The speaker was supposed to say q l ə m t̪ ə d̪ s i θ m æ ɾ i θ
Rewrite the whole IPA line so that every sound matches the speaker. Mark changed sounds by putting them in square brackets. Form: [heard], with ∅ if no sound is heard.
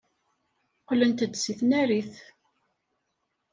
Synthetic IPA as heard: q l ə [n] t̪ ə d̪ s i θ [n] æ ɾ i θ